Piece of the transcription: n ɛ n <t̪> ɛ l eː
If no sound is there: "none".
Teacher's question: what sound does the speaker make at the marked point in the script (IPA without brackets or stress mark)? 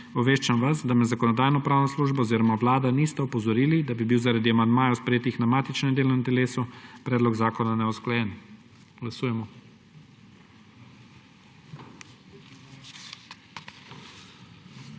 t̪